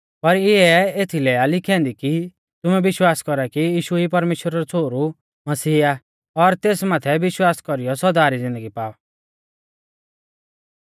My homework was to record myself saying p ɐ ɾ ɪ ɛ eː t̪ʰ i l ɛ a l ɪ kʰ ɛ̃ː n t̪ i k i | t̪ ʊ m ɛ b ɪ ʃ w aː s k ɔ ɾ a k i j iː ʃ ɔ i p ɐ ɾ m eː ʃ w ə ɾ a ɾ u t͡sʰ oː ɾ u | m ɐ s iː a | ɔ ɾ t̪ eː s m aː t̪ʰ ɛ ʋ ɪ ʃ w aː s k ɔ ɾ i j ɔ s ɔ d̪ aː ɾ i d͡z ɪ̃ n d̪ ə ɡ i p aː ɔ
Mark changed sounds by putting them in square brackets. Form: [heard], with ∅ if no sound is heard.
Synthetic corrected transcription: p ɐ ɾ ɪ ɛ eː t̪ʰ i l ɛ a l ɪ kʰ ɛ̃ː n [d̪] i k i | t̪ ʊ m ɛ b ɪ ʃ w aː s k ɔ ɾ a k i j iː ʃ [u] i p ɐ ɾ m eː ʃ w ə ɾ a ɾ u t͡sʰ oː ɾ u | m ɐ s iː a | ɔ ɾ t̪ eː s m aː t̪ʰ ɛ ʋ ɪ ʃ w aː s k ɔ ɾ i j ɔ s ɔ d̪ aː ɾ i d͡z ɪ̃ n d̪ ə ɡ i p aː ɔ